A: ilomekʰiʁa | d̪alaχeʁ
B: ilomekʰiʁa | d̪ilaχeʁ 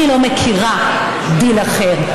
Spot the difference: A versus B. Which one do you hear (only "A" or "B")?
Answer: B